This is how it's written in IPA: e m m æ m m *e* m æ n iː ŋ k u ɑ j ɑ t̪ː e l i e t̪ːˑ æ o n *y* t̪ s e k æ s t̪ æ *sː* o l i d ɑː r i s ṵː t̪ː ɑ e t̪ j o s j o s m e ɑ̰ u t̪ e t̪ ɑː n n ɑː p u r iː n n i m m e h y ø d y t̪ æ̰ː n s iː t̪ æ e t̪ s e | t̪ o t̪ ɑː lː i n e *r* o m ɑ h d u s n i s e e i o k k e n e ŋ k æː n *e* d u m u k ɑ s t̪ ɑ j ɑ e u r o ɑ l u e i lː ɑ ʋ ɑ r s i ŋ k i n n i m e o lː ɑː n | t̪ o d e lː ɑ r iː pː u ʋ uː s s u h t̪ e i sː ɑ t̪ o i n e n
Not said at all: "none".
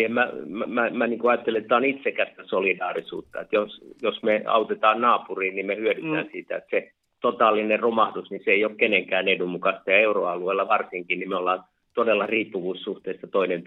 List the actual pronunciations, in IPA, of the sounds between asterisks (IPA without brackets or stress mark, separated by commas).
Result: æ, i, s, r, e